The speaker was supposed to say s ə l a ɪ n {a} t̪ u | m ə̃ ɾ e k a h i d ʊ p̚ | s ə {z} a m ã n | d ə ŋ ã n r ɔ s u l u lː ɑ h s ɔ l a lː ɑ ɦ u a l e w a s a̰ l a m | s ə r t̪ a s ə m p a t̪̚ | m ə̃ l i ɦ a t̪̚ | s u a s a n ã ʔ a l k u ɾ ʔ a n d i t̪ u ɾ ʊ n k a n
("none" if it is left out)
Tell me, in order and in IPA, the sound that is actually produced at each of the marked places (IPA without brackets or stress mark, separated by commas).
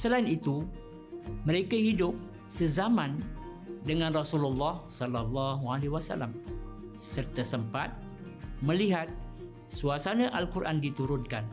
i, z